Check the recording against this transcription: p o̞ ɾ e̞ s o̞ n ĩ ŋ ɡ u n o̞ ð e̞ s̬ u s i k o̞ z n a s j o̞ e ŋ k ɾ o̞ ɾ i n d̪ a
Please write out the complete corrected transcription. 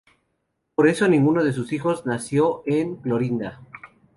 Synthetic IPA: p o̞ ɾ e̞ s o̞ n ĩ ŋ ɡ u n o̞ ð e̞ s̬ u s i x o̞ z n a s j o̞ e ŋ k l o̞ ɾ i n d̪ a